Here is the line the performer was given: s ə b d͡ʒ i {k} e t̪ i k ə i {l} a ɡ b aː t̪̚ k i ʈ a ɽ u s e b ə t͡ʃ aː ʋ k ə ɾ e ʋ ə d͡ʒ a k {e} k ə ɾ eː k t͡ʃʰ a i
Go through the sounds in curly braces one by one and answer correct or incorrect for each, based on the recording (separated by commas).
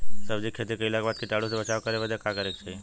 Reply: incorrect, correct, incorrect